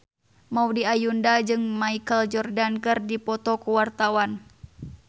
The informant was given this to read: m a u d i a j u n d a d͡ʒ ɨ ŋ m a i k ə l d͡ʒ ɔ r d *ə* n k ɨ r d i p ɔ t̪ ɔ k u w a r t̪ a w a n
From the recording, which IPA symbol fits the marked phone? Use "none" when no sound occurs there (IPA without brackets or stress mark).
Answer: a